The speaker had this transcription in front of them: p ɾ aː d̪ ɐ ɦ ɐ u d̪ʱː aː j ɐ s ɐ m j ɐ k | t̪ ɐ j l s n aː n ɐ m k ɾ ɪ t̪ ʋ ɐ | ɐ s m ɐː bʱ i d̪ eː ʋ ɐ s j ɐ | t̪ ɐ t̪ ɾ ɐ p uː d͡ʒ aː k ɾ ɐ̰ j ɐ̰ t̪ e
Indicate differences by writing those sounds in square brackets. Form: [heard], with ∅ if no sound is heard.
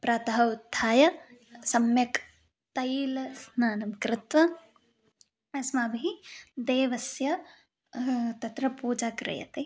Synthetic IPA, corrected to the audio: p ɾ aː [t̪] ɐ ɦ ɐ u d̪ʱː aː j ɐ s ɐ m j ɐ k | t̪ ɐ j l s n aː n ɐ m k ɾ ɪ t̪ ʋ ɐ | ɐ s m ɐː bʱ i d̪ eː ʋ ɐ s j ɐ | t̪ ɐ t̪ ɾ ɐ p uː d͡ʒ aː k ɾ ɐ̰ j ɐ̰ t̪ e